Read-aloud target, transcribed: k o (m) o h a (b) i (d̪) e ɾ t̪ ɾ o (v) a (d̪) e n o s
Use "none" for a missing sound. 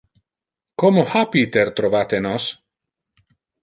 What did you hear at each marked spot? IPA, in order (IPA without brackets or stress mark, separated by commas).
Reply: m, p, t̪, v, t̪